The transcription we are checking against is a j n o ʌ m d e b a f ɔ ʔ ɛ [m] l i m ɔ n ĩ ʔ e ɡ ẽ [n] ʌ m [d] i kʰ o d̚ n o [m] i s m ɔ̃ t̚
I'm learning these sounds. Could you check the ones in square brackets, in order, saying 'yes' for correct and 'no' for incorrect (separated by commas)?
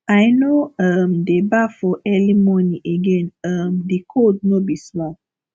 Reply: no, yes, yes, no